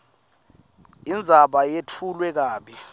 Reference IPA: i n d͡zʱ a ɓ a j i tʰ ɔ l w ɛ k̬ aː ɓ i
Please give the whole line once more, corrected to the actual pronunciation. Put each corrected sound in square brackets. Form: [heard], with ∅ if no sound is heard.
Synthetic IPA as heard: i n d͡zʱ a ɓ a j [e] tʰ [u] l w ɛ k̬ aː ɓ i